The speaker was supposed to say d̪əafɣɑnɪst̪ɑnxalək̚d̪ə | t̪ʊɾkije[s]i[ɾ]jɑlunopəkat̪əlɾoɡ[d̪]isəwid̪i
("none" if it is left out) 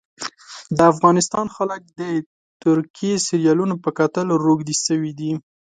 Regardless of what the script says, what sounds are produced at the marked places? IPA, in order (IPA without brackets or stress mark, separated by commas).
s, ɾ, d̪